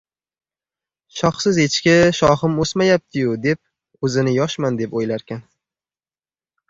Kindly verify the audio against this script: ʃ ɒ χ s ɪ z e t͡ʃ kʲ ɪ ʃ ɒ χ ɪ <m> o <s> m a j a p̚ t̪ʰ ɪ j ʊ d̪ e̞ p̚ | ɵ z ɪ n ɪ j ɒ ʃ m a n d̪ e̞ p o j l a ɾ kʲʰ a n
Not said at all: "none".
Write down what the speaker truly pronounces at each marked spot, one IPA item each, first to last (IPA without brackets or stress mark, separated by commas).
m, s